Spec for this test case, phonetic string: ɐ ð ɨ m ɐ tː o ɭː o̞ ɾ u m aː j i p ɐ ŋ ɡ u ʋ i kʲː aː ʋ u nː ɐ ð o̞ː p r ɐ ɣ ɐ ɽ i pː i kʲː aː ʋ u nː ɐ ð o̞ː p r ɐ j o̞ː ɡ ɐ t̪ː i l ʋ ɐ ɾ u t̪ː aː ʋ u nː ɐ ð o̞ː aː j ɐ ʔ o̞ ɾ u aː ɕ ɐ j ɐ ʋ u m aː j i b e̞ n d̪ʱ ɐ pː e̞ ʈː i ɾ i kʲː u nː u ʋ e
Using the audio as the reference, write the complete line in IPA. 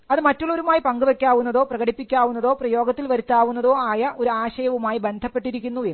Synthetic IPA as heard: ɐ ð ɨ m ɐ tː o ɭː o̞ ɾ u m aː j i p ɐ ŋ ɡ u ʋ e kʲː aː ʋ u nː ɐ ð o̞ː p r ɐ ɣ ɐ ɽ i pː i kʲː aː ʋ u nː ɐ ð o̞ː p r ɐ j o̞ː ɡ ɐ t̪ː i l ʋ ɐ ɾ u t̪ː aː ʋ u nː ɐ ð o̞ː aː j ɐ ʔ o̞ ɾ u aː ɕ ɐ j ɐ ʋ u m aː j i b e̞ n d̪ʱ ɐ pː e̞ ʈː i ɾ i kʲː u nː u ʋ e

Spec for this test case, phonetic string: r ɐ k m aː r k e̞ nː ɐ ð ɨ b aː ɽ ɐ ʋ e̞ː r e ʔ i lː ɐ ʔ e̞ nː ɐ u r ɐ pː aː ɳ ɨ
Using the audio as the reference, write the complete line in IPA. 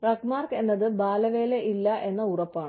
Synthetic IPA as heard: r ɐ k m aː r k e̞ nː ɐ ð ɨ b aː l ɐ ʋ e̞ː l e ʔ i lː ɐ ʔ e̞ nː ɐ u r ɐ pː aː ɳ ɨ

